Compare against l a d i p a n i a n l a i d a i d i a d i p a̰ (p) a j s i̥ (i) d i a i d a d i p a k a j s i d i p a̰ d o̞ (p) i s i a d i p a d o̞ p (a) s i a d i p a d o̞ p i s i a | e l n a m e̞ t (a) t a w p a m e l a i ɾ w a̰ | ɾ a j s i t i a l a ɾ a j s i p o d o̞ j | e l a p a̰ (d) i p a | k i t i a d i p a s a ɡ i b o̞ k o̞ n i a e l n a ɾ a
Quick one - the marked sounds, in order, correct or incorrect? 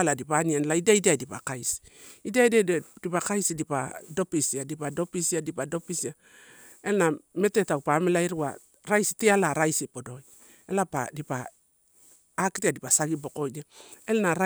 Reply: incorrect: k, correct, correct, incorrect: i, incorrect: e, correct

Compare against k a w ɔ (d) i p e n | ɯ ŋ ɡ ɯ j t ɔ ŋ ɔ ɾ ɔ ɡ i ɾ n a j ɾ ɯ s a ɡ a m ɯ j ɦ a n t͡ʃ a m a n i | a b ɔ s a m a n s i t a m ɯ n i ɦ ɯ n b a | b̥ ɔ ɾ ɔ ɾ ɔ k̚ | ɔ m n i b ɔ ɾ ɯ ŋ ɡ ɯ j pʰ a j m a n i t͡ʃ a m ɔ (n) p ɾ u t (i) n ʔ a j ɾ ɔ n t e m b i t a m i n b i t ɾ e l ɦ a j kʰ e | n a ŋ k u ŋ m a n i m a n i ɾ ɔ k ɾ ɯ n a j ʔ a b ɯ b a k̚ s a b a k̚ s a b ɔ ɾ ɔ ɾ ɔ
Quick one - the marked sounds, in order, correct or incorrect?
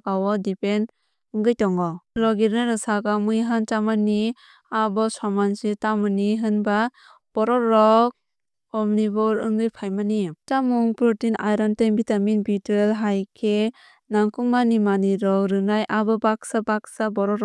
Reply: correct, incorrect: ŋ, correct

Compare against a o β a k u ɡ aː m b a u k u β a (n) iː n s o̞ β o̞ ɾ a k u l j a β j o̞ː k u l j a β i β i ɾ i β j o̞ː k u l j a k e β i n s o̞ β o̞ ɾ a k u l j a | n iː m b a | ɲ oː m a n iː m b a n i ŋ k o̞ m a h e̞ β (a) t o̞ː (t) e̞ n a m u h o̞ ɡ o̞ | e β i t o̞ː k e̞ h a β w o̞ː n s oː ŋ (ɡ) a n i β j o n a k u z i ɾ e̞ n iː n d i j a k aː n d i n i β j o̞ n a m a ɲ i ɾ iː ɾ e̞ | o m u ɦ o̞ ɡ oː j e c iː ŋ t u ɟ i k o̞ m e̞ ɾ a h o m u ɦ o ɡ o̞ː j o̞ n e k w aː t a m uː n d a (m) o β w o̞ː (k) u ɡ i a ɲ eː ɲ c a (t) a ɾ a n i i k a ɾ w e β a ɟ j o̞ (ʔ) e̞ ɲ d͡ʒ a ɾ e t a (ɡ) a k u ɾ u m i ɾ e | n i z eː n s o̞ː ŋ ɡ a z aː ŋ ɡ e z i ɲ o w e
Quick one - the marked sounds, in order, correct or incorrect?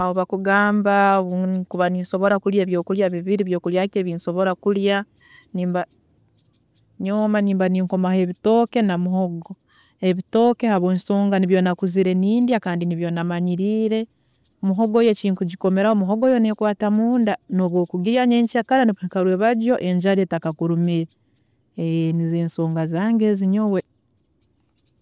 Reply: correct, incorrect: i, incorrect: k, correct, incorrect: n, correct, incorrect: k, correct, incorrect: k

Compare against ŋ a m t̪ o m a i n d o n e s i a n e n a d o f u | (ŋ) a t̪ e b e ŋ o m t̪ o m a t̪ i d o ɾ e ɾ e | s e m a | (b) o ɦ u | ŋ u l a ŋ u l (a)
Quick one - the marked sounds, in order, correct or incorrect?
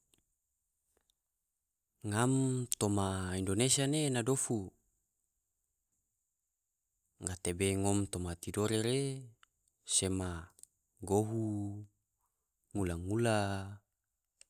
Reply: correct, incorrect: ɡ, correct

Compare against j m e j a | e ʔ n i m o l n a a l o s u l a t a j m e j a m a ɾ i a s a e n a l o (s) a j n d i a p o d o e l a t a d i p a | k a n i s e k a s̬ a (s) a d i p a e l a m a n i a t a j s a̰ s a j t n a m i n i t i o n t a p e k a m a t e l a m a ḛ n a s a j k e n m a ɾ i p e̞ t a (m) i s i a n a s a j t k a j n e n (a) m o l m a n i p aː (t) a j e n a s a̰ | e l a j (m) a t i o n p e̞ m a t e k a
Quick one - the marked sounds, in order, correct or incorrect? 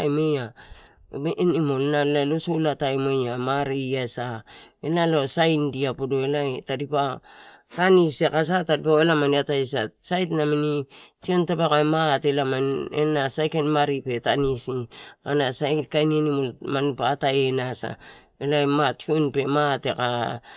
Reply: correct, incorrect: t, incorrect: n, incorrect: i, correct, correct

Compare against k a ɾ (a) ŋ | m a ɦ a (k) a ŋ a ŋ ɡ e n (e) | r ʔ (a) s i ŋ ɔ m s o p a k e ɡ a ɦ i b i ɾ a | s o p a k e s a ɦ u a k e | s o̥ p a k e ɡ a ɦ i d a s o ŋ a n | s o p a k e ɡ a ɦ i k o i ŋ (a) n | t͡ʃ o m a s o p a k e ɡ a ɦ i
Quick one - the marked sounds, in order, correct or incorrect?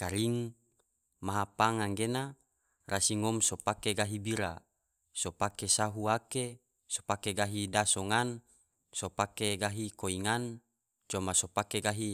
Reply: incorrect: i, incorrect: p, incorrect: a, correct, correct

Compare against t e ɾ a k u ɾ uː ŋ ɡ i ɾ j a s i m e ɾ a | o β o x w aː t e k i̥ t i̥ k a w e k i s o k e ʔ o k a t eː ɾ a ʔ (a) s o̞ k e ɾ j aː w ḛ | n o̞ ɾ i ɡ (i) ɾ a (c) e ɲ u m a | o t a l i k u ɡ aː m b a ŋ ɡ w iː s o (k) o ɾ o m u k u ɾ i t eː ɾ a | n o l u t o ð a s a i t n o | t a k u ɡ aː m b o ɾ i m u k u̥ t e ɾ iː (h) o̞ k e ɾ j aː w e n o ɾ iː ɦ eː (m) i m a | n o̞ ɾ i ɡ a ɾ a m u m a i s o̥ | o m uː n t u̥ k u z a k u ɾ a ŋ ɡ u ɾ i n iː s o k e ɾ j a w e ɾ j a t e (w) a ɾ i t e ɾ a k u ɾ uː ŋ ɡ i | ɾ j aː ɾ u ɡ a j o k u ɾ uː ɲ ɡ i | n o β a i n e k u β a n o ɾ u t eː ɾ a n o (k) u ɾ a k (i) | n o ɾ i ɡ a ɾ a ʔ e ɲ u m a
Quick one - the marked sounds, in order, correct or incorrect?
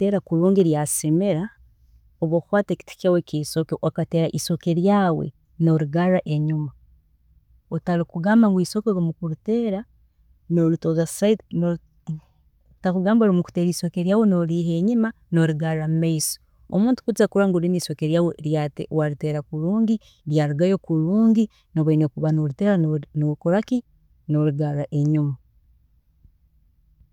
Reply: incorrect: i, incorrect: a, incorrect: ʔ, correct, incorrect: s, incorrect: ɲ, correct, correct, correct

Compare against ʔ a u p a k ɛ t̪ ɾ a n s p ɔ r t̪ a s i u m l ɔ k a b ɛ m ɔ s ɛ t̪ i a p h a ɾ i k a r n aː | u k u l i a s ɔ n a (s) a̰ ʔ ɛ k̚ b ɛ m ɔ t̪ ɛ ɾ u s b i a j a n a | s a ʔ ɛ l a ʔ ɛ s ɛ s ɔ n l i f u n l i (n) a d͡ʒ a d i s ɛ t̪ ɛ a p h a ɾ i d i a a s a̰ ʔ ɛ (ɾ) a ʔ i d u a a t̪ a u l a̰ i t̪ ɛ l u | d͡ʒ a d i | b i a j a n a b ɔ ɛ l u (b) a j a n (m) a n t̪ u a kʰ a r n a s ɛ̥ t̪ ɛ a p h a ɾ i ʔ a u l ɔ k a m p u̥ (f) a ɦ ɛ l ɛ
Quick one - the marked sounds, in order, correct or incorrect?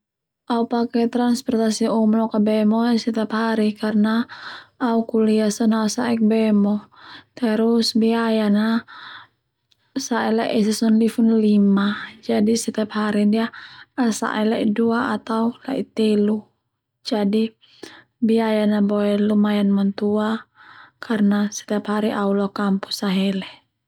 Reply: correct, incorrect: m, incorrect: l, incorrect: m, correct, incorrect: s

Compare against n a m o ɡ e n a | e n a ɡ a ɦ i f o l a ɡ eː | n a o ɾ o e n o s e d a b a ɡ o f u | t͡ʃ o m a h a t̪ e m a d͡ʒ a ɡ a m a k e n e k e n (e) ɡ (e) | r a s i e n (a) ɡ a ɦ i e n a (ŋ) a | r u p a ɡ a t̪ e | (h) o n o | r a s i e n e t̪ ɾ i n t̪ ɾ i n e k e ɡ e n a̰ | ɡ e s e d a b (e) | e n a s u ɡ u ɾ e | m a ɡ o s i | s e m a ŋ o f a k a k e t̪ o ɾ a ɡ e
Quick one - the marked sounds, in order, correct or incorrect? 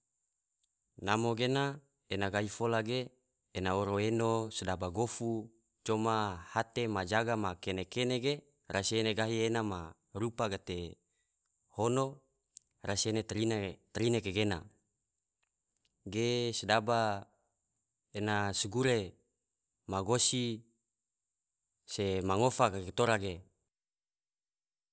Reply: correct, correct, incorrect: e, incorrect: m, correct, incorrect: a

